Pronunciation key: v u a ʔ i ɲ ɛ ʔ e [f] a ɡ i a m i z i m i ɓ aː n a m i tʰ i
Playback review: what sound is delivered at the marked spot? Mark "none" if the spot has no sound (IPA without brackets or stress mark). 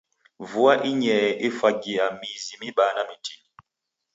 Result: f